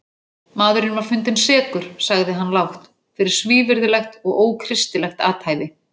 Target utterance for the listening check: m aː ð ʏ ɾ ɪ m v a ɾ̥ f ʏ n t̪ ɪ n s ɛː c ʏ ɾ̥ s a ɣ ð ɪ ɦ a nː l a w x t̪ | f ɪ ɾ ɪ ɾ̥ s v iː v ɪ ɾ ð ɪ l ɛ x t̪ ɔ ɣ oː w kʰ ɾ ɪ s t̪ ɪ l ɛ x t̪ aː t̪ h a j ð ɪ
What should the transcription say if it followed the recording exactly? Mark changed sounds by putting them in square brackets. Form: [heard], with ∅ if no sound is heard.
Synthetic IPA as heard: m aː ð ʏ ɾ ɪ [n] v a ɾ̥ f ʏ n t̪ ɪ n s ɛː [k] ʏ ɾ̥ s a ɣ ð ɪ ɦ a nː l a w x t̪ | f ɪ ɾ ɪ ɾ̥ s v iː v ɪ ɾ ð ɪ l ɛ x t̪ ɔ ɣ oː w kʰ ɾ ɪ s t̪ ɪ l ɛ x t̪ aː t̪ h a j ð ɪ